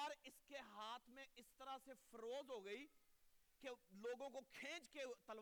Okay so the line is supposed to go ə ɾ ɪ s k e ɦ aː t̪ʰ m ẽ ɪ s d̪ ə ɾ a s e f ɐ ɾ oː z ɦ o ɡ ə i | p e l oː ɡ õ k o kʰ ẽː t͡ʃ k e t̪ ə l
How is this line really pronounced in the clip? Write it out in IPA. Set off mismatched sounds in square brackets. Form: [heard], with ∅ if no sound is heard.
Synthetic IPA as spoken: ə ɾ ɪ s k e ɦ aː t̪ʰ m ẽ ɪ s [t̪] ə ɾ a s e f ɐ ɾ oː z ɦ o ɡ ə i | [k] e l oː ɡ õ k o kʰ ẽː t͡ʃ k e t̪ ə l